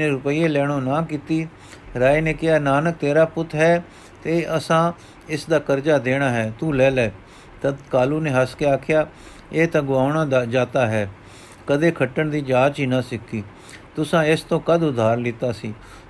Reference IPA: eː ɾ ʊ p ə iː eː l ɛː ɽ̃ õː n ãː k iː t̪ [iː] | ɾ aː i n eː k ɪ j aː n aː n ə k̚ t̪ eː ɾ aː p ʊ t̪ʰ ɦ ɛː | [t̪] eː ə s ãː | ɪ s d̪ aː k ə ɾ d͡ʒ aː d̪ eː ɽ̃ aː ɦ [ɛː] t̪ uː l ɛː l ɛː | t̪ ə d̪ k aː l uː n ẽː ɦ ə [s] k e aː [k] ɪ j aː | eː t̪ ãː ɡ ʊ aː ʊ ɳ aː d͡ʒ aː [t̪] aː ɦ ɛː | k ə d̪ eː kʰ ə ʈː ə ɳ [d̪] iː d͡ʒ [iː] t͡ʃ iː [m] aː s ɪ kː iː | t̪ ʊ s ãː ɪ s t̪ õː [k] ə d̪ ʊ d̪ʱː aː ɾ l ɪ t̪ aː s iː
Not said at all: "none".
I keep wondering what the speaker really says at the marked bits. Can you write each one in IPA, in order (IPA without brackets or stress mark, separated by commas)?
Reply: iː, t̪, ɛː, s, kʰ, t̪, d̪, aː, n, k